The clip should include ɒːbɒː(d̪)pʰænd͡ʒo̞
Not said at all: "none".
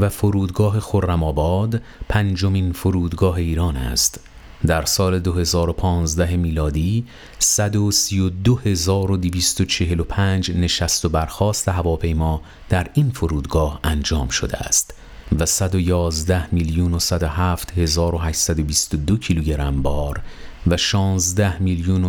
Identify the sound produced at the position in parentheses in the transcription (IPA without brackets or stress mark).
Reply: d̪